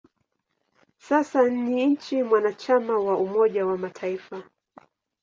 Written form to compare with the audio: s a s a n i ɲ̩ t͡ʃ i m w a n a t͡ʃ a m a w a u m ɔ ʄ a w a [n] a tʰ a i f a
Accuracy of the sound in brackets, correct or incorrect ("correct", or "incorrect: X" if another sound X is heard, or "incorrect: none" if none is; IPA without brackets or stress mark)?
incorrect: m